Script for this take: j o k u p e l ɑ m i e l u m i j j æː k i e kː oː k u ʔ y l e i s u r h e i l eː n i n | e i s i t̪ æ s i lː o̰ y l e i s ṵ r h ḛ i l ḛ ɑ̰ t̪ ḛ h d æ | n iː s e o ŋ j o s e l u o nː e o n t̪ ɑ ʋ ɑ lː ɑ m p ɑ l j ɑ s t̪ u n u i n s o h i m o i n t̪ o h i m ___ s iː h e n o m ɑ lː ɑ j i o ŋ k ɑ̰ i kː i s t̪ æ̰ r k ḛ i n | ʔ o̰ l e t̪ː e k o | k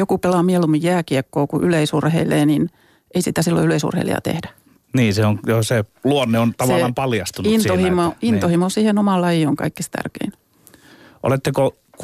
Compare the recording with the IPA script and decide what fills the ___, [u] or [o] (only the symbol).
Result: o